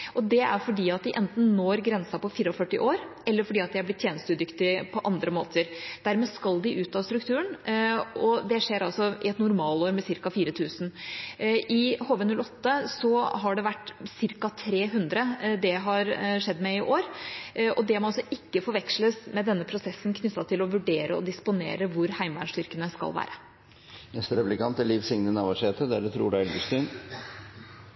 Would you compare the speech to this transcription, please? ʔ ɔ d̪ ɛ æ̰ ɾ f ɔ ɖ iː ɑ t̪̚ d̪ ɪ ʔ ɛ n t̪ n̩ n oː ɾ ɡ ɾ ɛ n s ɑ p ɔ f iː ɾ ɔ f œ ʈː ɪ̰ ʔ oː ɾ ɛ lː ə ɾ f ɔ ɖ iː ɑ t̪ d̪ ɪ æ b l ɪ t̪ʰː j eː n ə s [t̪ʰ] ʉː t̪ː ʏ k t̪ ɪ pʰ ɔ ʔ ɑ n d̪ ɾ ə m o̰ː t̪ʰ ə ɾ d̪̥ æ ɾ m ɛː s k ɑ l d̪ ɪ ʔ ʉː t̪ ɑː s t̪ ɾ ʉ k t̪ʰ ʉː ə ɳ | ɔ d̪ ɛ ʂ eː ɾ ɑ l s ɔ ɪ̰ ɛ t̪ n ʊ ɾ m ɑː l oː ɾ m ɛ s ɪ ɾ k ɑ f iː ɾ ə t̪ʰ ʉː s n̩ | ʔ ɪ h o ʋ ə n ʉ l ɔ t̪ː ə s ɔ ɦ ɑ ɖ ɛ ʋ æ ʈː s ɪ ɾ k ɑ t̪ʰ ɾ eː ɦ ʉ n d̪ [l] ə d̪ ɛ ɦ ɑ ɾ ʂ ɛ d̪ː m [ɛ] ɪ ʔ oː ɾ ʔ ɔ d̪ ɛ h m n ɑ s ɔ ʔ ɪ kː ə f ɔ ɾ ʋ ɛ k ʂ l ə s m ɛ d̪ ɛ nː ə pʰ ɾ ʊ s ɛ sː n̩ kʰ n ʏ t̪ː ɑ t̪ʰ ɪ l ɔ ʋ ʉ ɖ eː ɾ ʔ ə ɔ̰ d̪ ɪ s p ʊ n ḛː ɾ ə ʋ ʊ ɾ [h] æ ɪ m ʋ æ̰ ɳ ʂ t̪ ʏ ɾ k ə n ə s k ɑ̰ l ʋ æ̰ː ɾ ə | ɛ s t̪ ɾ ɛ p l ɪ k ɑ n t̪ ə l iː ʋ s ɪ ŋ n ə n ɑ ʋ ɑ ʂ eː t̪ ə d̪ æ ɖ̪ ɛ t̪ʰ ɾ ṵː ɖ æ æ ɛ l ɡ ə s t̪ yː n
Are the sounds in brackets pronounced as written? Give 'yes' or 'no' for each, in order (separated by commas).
no, no, yes, yes